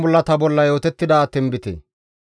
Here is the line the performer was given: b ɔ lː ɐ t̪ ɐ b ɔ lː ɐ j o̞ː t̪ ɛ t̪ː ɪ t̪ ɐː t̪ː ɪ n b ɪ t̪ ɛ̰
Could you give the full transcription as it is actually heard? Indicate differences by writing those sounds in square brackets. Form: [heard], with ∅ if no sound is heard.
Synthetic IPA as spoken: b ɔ lː ɐ t̪ ɐ b ɔ lː ɐ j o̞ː t̪ ɛ t̪ː ɪ [d̪] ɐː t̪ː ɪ n b ɪ t̪ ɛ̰